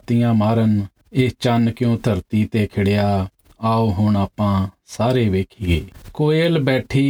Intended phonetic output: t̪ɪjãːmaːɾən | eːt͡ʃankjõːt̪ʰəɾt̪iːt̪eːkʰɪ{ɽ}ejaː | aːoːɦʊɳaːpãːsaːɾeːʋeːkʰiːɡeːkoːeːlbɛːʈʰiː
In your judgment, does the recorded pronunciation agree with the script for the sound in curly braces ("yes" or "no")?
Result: yes